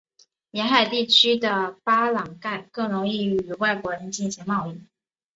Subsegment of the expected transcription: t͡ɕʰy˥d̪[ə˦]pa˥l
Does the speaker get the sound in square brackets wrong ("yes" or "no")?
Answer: yes